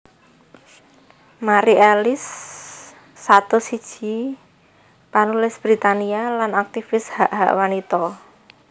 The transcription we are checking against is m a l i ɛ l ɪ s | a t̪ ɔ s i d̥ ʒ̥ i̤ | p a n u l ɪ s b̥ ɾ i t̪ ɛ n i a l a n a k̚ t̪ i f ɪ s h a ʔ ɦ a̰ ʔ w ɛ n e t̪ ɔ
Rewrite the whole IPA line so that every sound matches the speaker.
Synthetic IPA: m a ɾ i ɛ l ɪ s | a t̪ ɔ s i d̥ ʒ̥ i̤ | p a n u l ɪ s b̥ ɾ i t̪ a n i a l a n a k̚ t̪ i f ɪ s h a ʔ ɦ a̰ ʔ w a n i t̪ ɔ